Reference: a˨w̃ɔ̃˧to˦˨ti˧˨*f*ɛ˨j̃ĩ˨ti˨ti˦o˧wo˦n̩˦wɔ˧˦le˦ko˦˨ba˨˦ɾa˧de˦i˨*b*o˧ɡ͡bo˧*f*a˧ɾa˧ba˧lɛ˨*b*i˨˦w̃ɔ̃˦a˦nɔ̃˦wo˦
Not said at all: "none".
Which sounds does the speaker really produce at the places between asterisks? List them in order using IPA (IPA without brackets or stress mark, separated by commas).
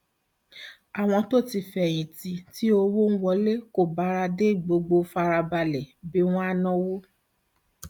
f, ɡ͡b, f, b